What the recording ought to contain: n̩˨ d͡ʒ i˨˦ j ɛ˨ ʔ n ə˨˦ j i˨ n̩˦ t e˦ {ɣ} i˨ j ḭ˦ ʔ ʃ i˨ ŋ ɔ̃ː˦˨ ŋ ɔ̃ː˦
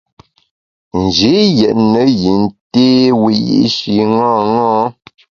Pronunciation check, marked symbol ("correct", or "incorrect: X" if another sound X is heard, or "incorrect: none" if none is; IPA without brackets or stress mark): incorrect: w